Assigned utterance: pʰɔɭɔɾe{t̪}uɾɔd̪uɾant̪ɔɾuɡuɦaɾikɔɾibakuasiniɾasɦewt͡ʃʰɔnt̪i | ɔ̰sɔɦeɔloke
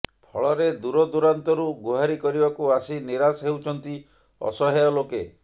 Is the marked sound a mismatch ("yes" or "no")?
yes